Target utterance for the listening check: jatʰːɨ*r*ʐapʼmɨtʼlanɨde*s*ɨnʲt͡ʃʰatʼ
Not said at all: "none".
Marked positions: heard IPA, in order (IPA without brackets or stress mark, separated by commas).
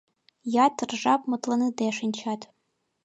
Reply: r, ʂ